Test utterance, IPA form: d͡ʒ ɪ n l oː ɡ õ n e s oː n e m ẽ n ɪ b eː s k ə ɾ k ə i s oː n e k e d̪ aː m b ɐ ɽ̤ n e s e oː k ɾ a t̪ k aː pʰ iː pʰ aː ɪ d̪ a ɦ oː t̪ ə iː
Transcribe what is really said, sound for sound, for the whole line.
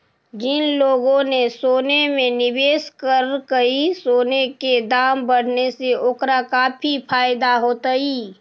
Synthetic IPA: d͡ʒ ɪ n l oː ɡ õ n e s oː n e m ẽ n ɪ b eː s k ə ɾ k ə i s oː n e k e d̪ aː m b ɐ ɽ̤ n e s e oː k ɾ a k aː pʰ i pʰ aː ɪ d̪ a ɦ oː t̪ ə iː

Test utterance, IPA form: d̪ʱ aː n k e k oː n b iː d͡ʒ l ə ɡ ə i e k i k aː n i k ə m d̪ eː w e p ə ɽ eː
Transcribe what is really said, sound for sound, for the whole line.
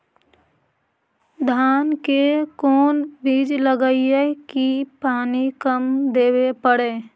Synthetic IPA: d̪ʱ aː n k e k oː n b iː d͡ʒ l ə ɡ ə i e k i p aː n i k ə m d̪ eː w e p ə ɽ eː

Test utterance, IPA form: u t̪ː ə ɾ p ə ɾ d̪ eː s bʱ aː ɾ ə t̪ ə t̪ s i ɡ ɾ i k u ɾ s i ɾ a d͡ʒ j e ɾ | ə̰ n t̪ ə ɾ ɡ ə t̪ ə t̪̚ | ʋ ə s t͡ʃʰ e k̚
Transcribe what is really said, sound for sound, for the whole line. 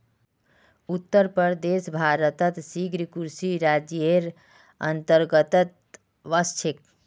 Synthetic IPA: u t̪ː ə ɾ p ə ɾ d̪ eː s bʱ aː ɾ ə t̪ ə t̪ s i ɡ ɾ i k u ɾ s i ɾ a d͡ʒ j e ɾ | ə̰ n t̪ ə ɾ ɡ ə t̪ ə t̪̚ | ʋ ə s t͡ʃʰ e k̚

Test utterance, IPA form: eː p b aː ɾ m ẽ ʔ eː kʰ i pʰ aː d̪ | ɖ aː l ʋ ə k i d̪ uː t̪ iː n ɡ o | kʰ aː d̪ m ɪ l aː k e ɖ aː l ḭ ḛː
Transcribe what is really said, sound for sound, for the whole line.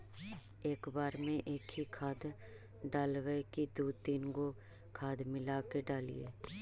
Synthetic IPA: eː k b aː ɾ m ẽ ʔ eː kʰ i kʰ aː d̪ | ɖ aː l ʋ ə k i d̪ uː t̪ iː n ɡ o | kʰ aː d̪ m ɪ l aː k e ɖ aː l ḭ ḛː

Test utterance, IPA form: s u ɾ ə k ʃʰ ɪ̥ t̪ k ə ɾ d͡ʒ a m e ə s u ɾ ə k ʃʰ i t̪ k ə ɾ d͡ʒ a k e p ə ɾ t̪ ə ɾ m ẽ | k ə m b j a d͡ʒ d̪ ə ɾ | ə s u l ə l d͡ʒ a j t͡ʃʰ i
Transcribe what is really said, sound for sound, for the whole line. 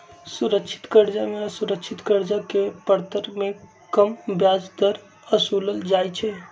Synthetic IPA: s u ɾ ə k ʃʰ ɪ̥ t̪ k ə ɾ d͡ʒ a m e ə s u ɾ ə k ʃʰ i t̪ k ə ɾ d͡ʒ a k e p ə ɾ t̪ ə ɾ m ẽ | k ə m b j a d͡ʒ d̪ ə ɾ | ə s u l ə l d͡ʒ a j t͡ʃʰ ɛ

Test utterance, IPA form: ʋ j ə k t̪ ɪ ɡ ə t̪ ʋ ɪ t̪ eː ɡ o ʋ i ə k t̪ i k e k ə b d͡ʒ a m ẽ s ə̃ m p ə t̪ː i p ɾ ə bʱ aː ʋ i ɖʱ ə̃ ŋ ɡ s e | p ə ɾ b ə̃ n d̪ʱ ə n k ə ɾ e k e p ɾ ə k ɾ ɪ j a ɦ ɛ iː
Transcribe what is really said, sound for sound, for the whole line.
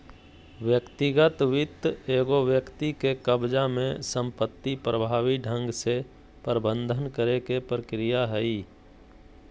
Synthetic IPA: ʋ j ə k t̪ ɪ ɡ ə t̪ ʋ ɪ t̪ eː ɡ o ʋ j ə k t̪ i k e k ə b d͡ʒ a m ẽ s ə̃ m p ə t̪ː i p ɾ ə bʱ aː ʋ i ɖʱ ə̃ ŋ ɡ s e | p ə ɾ b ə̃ n d̪ʱ ə n k ə ɾ e k e p ɾ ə k ɾ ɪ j a ɦ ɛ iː

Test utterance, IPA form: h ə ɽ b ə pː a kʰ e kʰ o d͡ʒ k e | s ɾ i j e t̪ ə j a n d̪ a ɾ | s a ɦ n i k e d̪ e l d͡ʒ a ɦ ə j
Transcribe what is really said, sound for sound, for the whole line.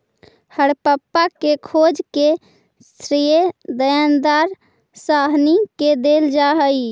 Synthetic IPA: h ə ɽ p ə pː a k e kʰ o d͡ʒ k e | s ɾ i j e d̪ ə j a n d̪ a ɾ | s a ɦ n i k e d̪ e l d͡ʒ a ɦ ə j

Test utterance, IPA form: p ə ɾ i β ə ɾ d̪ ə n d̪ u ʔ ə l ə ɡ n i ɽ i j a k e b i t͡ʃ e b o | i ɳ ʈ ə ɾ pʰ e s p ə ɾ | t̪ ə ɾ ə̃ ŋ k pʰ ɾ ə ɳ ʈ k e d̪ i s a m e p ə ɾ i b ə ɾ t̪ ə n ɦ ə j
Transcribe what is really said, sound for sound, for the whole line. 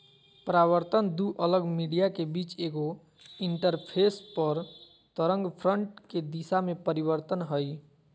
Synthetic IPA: p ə ɾ a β ə ɾ t̪ ə n d̪ u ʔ ə l ə ɡ m i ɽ i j a k e b i t͡ʃ e ɡ o | i ɳ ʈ ə ɾ pʰ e s p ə ɾ | t̪ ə ɾ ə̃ ŋ ɡ pʰ ɾ ə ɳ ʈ k e d̪ i s a m e p ə ɾ i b ə ɾ t̪ ə n ɦ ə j

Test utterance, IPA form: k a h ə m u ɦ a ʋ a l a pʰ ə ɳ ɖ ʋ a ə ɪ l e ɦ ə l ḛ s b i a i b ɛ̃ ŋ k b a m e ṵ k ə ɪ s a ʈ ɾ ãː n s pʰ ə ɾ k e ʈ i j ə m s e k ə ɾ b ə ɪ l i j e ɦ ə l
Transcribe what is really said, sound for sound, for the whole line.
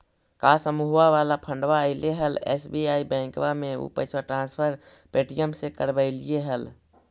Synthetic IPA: k a s ə m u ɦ a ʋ a l a pʰ ə ɳ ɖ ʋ a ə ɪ l e ɦ ə l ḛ s b i a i b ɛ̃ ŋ k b a m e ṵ p ə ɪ s a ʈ ɾ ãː n s pʰ ə ɾ p e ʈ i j ə m s e k ə ɾ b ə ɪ l i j e ɦ ə l

